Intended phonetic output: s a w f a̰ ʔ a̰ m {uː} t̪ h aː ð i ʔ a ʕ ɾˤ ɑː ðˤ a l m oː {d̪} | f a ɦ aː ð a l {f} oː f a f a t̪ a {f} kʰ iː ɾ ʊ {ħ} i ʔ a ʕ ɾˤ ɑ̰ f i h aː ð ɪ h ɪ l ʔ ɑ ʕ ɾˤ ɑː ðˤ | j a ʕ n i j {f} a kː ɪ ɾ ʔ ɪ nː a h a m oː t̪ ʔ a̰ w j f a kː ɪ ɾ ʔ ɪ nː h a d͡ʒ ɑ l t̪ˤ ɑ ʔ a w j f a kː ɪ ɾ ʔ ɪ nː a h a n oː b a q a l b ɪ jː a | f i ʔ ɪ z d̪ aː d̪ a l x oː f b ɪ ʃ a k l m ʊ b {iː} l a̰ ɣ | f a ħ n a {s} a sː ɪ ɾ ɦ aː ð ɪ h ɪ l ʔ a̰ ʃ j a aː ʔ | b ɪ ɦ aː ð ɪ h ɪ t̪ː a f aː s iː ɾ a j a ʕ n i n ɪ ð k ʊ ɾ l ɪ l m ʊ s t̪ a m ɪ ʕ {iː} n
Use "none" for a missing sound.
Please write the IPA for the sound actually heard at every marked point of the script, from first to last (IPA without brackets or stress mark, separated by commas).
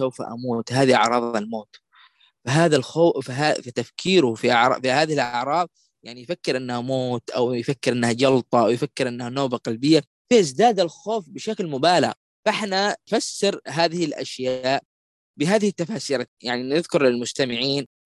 uː, t̪, x, f, f, f, aː, f, iː